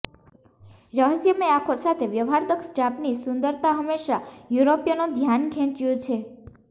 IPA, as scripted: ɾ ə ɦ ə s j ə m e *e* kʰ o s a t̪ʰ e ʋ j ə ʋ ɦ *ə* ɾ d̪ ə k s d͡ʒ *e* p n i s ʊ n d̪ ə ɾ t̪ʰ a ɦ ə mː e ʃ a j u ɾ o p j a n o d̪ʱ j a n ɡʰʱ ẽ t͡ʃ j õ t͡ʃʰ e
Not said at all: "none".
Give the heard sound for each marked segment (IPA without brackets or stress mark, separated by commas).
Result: a, a, a